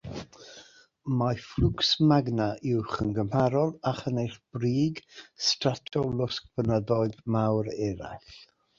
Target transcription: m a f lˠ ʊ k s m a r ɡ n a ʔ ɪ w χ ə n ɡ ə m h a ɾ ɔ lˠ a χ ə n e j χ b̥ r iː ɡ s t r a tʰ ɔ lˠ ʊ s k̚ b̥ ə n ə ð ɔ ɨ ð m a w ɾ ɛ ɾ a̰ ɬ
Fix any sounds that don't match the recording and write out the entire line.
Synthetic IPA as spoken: m a f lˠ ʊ k s m a ɡ n a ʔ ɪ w χ ə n ɡ ə m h a ɾ ɔ lˠ a χ ə n e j χ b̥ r iː ɡ s t r a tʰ ɔ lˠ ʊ s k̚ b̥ ə n ə ð ɔ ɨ ð m a w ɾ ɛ ɾ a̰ ɬ